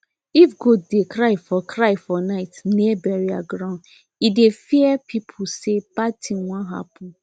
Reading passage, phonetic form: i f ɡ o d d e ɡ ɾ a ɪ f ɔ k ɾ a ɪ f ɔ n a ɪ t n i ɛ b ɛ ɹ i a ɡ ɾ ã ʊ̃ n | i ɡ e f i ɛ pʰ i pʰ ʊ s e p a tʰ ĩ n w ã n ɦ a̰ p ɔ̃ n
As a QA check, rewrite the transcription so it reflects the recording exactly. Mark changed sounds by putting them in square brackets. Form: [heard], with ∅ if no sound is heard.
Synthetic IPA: i f ɡ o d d e [k] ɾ a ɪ f ɔ k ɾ a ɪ f ɔ n a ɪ t n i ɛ b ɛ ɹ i a ɡ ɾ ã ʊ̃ n | i [d] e f i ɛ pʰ i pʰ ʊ s e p a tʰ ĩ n w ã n ɦ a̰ p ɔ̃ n